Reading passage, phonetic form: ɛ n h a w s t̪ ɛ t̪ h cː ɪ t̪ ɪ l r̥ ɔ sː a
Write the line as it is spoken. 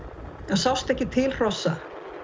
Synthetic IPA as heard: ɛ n s a w s t̪ ɛ h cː ɪ t̪ʰ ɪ l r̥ ɔ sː a